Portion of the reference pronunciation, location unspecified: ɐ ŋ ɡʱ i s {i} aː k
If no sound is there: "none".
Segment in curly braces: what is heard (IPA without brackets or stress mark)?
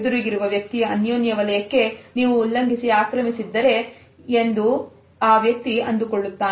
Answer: i